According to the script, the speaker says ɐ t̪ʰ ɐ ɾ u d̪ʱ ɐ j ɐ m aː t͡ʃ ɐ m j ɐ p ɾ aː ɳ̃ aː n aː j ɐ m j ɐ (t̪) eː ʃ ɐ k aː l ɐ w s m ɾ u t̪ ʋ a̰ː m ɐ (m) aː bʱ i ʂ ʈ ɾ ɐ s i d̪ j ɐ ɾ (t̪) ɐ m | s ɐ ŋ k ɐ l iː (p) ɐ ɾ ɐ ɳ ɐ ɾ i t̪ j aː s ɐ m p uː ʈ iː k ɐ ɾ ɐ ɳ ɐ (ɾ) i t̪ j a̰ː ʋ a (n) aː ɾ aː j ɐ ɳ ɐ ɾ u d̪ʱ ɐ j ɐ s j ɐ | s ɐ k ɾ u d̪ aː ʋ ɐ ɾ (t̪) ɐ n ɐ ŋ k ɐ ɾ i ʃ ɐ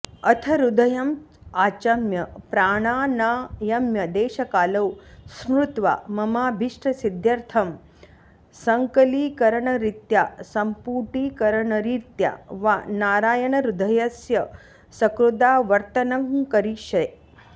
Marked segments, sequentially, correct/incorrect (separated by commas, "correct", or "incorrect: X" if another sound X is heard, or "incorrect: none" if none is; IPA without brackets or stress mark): incorrect: d̪, correct, incorrect: t̪ʰ, incorrect: k, correct, correct, correct